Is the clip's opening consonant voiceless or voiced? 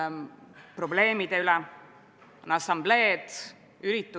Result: voiceless